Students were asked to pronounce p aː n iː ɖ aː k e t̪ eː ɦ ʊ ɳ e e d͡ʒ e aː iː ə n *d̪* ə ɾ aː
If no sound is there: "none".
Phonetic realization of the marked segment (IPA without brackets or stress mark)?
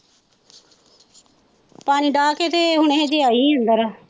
d̪